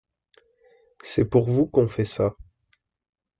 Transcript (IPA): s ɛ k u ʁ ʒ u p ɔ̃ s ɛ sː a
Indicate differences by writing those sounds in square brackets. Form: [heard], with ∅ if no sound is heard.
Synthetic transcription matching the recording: s ɛ [p] u ʁ [v] u [k] ɔ̃ [f] ɛ [s] a